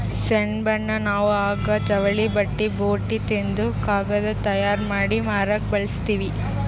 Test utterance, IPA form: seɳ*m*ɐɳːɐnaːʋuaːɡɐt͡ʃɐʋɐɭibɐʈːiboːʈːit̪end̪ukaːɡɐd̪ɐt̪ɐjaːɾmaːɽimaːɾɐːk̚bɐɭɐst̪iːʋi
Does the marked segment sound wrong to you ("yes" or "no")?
yes